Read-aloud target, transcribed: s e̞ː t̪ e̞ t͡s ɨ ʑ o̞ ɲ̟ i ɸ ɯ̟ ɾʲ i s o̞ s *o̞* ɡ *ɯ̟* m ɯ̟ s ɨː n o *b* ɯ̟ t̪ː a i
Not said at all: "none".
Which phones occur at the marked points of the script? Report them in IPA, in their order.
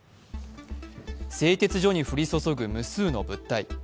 o̞, ɯ̟, b

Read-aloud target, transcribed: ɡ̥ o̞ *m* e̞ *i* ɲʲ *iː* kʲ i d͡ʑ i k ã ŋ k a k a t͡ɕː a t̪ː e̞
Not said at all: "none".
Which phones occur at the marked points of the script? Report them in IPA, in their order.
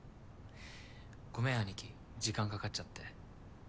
m, a, i

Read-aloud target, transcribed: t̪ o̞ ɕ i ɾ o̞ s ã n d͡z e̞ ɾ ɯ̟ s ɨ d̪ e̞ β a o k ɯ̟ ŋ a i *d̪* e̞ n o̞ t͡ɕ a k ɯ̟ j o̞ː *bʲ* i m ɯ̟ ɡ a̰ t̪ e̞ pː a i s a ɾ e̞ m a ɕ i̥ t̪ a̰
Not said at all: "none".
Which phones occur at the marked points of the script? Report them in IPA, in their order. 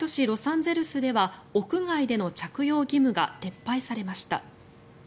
d̪, ɡʲ

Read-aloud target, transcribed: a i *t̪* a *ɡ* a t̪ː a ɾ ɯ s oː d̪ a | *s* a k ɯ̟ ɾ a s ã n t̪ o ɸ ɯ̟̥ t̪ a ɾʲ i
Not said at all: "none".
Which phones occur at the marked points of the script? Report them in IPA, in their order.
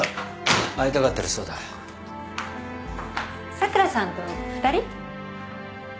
t̪, k, s

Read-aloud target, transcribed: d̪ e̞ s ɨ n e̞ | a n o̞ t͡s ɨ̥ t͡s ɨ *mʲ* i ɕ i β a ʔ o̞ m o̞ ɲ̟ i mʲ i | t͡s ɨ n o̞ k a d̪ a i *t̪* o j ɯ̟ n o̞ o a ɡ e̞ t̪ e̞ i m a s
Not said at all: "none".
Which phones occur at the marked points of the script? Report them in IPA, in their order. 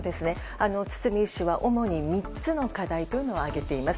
mʲ, t̪

